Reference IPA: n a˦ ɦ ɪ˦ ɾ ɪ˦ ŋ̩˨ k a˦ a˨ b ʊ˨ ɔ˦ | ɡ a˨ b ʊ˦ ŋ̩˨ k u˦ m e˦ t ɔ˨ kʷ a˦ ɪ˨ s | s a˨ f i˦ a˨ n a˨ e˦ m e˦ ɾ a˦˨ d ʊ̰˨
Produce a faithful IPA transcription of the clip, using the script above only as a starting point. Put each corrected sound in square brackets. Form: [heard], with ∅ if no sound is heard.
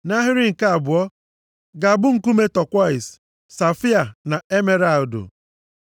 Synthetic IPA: n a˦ ɦ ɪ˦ ɾ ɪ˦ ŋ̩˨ k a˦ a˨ b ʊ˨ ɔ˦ | ɡ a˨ b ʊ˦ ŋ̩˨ k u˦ m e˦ t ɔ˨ kʷ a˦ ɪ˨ s | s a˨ f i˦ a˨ n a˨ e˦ m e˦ ɾ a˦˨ d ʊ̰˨